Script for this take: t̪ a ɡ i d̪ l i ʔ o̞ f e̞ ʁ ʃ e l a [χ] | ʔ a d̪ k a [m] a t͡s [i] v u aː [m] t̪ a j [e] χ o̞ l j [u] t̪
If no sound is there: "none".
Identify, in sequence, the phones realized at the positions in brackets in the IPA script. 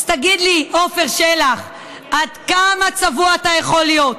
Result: χ, m, a, none, e, o

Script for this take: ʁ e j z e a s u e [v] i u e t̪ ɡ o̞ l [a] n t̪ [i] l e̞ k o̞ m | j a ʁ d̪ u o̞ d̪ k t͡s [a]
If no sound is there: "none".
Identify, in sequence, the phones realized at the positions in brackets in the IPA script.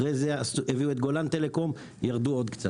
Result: v, a, e, a

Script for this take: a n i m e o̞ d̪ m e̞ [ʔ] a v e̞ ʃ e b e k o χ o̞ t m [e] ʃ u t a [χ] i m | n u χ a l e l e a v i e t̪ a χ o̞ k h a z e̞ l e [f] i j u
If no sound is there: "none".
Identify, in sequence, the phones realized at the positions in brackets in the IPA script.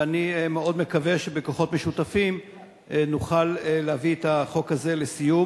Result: k, e, f, s

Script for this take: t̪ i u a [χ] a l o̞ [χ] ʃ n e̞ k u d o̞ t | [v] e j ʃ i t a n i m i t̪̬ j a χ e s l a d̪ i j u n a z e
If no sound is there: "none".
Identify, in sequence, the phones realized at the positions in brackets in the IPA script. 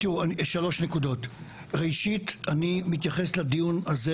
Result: ʃ, none, ʁ

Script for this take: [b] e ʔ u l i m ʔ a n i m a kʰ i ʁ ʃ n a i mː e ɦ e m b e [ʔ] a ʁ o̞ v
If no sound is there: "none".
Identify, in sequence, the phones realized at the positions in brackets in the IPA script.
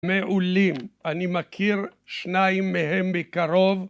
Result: m, k

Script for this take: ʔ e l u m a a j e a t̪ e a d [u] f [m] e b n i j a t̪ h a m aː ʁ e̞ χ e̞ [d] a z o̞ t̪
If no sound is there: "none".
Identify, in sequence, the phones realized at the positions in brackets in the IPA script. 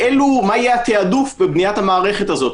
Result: u, b, t

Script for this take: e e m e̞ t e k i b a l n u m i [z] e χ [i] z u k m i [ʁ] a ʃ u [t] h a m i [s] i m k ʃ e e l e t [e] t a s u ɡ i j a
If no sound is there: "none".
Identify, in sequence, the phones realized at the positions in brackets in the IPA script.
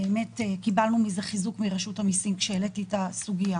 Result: z, i, ʁ, t, s, i

